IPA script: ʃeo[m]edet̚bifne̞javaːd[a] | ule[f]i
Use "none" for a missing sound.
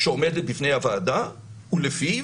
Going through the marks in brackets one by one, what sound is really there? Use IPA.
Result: m, a, f

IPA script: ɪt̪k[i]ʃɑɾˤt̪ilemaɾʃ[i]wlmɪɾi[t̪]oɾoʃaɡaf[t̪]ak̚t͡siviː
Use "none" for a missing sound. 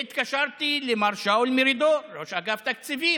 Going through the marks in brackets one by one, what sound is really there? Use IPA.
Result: a, a, d̪, t̪

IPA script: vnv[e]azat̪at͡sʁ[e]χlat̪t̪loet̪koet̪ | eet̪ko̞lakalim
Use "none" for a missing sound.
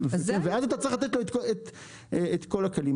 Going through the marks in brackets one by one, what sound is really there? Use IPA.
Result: e, i

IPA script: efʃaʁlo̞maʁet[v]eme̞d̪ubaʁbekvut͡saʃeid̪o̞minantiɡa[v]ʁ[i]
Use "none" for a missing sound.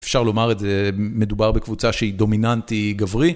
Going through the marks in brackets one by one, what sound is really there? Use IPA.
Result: z, v, i

